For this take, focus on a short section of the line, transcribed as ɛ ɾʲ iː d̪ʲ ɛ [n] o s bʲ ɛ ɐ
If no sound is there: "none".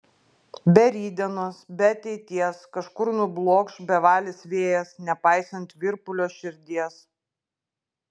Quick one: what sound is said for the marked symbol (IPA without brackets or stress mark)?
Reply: n